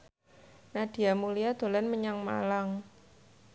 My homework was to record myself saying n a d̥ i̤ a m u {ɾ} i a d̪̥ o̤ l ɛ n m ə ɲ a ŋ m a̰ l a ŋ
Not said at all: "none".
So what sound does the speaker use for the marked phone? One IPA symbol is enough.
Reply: l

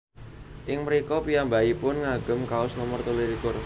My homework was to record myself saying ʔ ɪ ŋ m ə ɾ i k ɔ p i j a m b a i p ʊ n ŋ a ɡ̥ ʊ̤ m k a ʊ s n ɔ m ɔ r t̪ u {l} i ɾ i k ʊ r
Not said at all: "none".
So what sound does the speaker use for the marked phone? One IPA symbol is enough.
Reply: l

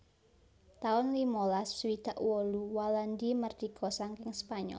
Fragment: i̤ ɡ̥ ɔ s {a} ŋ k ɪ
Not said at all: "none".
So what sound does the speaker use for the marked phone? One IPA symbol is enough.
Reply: a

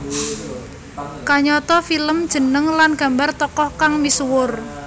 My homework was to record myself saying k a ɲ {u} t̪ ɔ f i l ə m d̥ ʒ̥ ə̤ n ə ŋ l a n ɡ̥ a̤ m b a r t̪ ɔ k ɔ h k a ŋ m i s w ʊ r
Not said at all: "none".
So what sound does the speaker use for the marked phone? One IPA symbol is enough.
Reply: ɔ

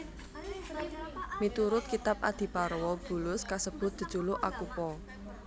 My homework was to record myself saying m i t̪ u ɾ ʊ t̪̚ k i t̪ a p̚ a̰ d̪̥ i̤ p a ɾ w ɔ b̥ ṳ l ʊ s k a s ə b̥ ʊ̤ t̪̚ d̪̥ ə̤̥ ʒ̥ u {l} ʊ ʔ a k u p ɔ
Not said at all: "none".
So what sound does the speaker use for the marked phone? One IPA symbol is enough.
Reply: l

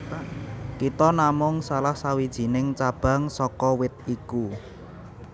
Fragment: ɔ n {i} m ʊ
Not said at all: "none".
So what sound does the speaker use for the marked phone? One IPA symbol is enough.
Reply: a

